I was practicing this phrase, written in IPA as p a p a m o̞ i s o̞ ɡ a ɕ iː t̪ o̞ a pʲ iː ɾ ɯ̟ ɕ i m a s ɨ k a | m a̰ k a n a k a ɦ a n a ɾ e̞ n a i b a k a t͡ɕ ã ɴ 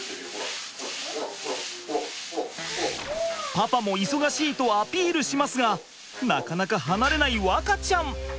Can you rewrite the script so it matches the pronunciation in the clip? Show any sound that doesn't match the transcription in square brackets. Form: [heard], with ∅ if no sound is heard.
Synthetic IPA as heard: p a p a m o̞ i s o̞ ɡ a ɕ iː t̪ o̞ a pʲ iː ɾ ɯ̟ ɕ i m a s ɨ [ɡ] a | [n] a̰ k a n a k a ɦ a n a ɾ e̞ n a i [β] a k a t͡ɕ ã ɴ